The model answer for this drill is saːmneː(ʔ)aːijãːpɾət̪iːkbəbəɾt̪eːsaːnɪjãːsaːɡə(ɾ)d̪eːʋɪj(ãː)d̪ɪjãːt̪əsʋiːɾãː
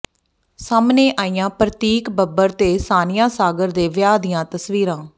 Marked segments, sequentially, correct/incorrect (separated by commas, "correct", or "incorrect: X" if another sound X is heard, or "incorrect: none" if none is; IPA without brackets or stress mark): correct, correct, incorrect: aː